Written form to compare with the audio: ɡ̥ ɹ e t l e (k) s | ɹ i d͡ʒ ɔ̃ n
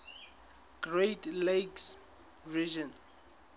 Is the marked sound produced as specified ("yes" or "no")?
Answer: yes